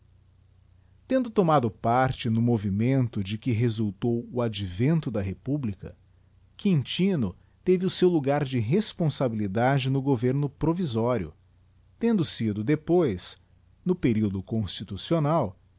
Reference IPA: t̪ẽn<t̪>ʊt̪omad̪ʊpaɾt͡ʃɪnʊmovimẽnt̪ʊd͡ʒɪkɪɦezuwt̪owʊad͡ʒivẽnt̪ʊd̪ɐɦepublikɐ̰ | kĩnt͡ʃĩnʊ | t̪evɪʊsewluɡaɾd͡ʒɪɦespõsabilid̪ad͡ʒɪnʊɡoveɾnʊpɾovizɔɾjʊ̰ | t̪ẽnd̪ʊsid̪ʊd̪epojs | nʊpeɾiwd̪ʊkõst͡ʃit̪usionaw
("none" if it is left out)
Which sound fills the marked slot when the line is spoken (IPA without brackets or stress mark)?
d̪